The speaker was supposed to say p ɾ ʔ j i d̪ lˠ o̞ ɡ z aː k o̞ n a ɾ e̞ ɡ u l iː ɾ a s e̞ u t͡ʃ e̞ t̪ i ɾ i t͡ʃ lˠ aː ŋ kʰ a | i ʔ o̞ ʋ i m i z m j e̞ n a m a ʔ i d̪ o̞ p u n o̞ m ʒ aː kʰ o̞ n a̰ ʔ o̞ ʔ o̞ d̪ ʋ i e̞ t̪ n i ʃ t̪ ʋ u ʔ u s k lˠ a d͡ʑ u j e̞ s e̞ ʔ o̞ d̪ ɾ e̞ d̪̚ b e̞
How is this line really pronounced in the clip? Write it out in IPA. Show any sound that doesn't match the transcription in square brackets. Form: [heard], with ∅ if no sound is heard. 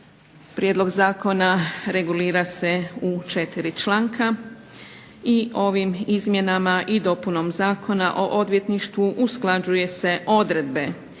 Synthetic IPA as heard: p ɾ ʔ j [e] d̪ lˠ o̞ ɡ z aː k o̞ n a ɾ e̞ ɡ u l iː ɾ a s e̞ u t͡ʃ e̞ t̪ i ɾ i t͡ʃ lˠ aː ŋ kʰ a | i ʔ o̞ ʋ i m i z m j e̞ n a m a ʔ i d̪ o̞ p u n o̞ m [z] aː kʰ o̞ n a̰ ʔ o̞ ʔ o̞ d̪ ʋ [j] e̞ t̪ n i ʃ t̪ ʋ u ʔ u s k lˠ a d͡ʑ u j e̞ s e̞ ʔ o̞ d̪ ɾ e̞ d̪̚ b e̞

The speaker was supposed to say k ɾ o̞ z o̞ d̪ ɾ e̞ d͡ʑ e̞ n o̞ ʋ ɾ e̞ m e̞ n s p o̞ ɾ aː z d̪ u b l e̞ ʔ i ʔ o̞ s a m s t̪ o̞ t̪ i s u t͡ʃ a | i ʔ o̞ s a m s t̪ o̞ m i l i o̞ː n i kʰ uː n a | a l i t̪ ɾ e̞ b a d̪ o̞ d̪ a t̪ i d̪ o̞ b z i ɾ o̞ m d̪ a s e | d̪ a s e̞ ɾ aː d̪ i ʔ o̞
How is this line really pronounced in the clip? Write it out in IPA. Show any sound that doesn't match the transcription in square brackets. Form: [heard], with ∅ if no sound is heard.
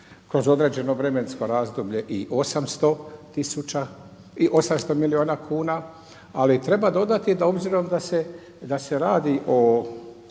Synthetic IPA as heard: k ɾ o̞ z o̞ d̪ ɾ e̞ d͡ʑ e̞ n o̞ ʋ ɾ e̞ m e̞ n s [k] o̞ ɾ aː z d̪ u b [ʎ] e̞ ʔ i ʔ o̞ s a m s t̪ o̞ t̪ i s u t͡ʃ a | i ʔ o̞ s a m s t̪ o̞ m i l i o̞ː n [a] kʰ uː n a | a l i t̪ ɾ e̞ b a d̪ o̞ d̪ a t̪ i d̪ o̞ b z i ɾ o̞ m d̪ a s e | d̪ a s e̞ ɾ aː d̪ i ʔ o̞

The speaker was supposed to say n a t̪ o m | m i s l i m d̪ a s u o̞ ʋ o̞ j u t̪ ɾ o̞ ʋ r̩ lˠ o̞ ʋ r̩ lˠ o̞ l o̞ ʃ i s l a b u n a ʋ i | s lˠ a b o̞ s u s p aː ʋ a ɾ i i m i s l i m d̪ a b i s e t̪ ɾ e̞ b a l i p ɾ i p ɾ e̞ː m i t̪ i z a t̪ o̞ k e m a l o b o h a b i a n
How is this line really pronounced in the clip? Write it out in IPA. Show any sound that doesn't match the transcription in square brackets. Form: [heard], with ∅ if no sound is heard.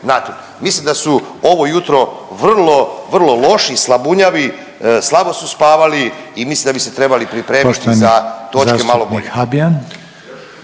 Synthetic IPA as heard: n a t̪ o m | m i s l i m d̪ a s u o̞ ʋ o̞ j u t̪ ɾ o̞ ʋ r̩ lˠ o̞ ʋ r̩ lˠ o̞ l o̞ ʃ i s l a b u [ɲ] a ʋ i | s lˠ a b o̞ s u s p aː ʋ a [l] i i m i s l i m d̪ a b i s e t̪ ɾ e̞ b a l i p ɾ i p ɾ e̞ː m i t̪ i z a t̪ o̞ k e m a l o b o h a b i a n

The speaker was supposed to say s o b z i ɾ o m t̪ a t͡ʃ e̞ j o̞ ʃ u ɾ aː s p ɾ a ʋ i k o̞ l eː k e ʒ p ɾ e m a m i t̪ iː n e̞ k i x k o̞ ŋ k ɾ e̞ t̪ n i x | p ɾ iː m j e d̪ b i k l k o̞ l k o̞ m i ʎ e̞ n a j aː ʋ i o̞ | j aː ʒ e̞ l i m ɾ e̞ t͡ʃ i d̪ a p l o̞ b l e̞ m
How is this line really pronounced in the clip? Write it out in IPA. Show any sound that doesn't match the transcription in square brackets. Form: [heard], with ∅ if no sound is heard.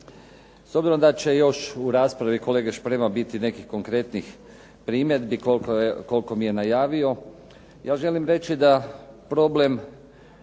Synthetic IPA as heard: s o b z i ɾ o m [d̪] a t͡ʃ e̞ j o̞ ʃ u ɾ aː s p ɾ a ʋ i k o̞ l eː [ɡ] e [ʃ] p ɾ e m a [b] i t̪ [i] n e̞ k i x k o̞ ŋ k ɾ e̞ t̪ n i x | p ɾ iː m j e d̪ b i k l k o̞ l k o̞ m i [j] e̞ n a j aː ʋ i o̞ | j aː ʒ e̞ l i m ɾ e̞ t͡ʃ i d̪ a p [ɾ] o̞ b l e̞ m

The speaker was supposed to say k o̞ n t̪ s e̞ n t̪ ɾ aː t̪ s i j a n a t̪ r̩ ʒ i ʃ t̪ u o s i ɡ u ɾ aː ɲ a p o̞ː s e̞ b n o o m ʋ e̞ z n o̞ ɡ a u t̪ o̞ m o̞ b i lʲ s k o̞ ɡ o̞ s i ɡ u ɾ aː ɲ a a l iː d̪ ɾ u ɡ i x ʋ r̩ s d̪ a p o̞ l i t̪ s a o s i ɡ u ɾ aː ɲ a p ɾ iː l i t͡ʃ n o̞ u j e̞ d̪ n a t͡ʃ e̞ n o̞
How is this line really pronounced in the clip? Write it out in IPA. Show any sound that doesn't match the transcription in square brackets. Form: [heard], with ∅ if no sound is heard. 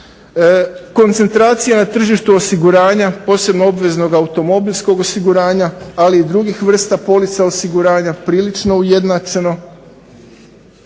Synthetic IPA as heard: k o̞ n t̪ s e̞ n t̪ ɾ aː t̪ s i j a n a t̪ r̩ ʒ i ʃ t̪ u o s i ɡ u ɾ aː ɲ a p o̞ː s e̞ b n o o [b] ʋ e̞ z n o̞ ɡ a u t̪ o̞ m o̞ b i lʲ s k o̞ ɡ o̞ s i ɡ u ɾ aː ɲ a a l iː d̪ ɾ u ɡ i x ʋ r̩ s [t̪] a p o̞ l i t̪ s a o s i ɡ u ɾ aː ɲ a p ɾ iː l i t͡ʃ n o̞ u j e̞ d̪ n a t͡ʃ e̞ n o̞

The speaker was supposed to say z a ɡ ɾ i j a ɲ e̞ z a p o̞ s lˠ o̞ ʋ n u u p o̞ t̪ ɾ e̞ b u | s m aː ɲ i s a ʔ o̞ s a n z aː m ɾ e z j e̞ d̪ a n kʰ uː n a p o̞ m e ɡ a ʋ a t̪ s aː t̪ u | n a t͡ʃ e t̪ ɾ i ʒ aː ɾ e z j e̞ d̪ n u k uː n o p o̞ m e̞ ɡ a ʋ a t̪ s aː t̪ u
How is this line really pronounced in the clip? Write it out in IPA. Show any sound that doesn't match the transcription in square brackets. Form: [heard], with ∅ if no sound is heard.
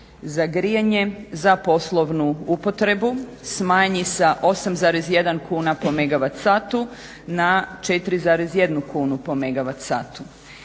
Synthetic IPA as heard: z a ɡ ɾ i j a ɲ e̞ z a p o̞ s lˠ o̞ ʋ n u u p o̞ t̪ ɾ e̞ b u | s m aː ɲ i s a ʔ o̞ s a [m] z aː [∅] ɾ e z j e̞ d̪ a n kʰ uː n a p o̞ m e ɡ a ʋ a t̪ s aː t̪ u | n a t͡ʃ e t̪ ɾ i [z] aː ɾ e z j e̞ d̪ n u k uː n [u] p o̞ m e̞ ɡ a ʋ a t̪ s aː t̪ u

